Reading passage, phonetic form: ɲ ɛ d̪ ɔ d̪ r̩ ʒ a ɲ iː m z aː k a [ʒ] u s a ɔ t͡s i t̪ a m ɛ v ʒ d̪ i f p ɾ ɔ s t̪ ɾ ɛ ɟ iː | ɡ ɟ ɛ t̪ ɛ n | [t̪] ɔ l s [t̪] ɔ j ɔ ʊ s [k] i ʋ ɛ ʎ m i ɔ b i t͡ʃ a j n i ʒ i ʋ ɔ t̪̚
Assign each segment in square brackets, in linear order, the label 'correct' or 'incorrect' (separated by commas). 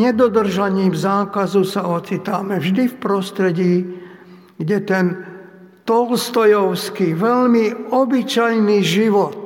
incorrect, correct, correct, correct